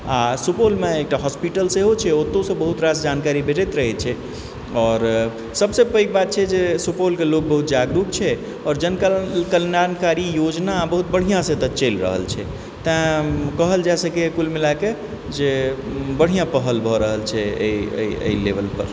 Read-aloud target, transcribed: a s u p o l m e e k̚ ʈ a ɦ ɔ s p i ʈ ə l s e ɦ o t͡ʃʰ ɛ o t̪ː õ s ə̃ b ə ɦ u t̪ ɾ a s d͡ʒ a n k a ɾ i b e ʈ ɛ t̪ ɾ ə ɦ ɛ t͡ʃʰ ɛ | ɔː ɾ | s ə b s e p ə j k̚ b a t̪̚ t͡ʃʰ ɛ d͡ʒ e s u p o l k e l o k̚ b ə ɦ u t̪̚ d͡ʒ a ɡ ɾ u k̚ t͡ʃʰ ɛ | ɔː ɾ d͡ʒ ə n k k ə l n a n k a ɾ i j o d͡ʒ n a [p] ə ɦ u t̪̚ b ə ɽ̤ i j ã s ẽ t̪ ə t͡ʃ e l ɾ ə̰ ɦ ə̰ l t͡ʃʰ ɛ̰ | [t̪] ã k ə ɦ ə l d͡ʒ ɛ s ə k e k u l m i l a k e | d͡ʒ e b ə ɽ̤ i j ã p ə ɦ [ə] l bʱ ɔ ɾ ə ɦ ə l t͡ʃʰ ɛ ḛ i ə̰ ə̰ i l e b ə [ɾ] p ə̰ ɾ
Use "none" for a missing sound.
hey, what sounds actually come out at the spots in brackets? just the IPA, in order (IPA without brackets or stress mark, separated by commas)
b, t̪, ə, l